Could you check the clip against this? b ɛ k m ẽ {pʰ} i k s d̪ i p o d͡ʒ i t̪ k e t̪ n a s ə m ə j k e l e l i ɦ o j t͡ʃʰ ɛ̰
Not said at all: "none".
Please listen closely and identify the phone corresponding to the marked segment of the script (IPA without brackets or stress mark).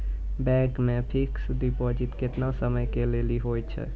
pʰ